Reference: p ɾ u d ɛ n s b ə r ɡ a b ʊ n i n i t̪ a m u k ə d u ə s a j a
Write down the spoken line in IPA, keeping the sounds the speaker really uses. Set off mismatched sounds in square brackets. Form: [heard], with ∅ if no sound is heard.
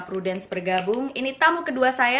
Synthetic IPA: p ɾ u d ɛ n s b ə r ɡ a b ʊ [ŋ] i n i t̪ a m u k ə d u [a] s a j a